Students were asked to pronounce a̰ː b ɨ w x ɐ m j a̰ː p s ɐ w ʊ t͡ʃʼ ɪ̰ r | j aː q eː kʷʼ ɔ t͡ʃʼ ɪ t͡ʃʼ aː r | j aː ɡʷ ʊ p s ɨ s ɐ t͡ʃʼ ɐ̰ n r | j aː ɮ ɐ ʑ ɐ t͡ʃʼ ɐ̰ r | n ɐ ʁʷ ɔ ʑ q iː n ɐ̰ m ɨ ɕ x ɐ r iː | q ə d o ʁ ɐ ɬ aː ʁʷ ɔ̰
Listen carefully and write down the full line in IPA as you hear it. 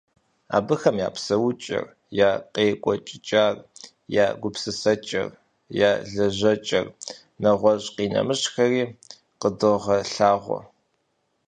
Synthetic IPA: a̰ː b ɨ x ɐ m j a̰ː p s ɐ w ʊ t͡ʃʼ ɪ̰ r | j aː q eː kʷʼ ɔ t͡ʃʼ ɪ t͡ʃʼ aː r | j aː ɡʷ ʊ p s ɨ s ɐ t͡ʃʼ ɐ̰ r | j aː ɮ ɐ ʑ ɐ t͡ʃʼ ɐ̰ r | n ɐ ʁʷ ɔ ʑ q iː n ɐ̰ m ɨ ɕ x ɐ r iː | q ə d o ʁ ɐ ɬ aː ʁʷ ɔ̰